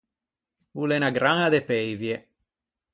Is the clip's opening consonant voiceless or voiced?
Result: voiced